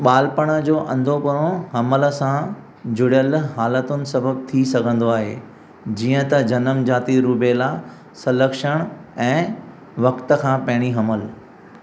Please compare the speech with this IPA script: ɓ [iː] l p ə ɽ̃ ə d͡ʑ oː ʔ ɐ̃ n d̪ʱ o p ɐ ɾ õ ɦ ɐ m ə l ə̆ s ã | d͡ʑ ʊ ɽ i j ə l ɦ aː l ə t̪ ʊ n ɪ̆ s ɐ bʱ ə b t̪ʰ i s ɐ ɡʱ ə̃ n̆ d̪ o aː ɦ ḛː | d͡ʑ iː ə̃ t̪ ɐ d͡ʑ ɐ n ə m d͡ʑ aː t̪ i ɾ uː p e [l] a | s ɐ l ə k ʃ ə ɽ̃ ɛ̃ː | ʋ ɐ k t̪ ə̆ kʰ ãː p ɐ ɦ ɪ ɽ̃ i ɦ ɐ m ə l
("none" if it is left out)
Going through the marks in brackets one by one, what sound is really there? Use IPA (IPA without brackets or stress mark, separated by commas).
aː, l